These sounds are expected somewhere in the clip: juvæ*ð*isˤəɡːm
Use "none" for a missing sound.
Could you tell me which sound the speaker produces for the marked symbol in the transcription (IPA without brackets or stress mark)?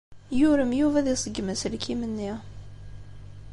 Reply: ð